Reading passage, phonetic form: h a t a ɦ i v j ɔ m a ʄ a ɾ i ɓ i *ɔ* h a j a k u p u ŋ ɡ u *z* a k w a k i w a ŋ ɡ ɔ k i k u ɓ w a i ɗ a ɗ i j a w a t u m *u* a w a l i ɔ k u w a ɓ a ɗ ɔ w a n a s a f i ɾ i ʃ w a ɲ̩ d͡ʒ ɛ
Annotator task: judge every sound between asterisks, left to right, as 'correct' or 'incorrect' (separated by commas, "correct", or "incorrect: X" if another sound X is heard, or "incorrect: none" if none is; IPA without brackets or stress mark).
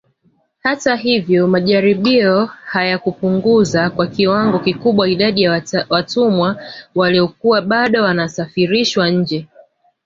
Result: correct, correct, incorrect: w